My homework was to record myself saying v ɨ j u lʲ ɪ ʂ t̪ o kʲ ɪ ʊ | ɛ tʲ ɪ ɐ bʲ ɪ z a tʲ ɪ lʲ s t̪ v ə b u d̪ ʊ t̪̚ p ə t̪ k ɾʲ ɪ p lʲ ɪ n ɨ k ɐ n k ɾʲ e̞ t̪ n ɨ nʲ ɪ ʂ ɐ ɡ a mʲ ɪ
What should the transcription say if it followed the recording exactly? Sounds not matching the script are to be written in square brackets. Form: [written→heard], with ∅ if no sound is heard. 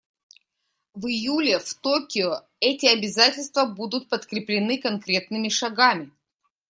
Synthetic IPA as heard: v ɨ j u lʲ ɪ [ʂ→f] t̪ o kʲ ɪ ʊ | ɛ tʲ ɪ ɐ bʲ ɪ z a tʲ ɪ lʲ s t̪ v ə b u d̪ ʊ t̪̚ p ə t̪ k ɾʲ ɪ p lʲ ɪ n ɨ k ɐ n k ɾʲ e̞ t̪ n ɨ [nʲ→mʲ] ɪ ʂ ɐ ɡ a mʲ ɪ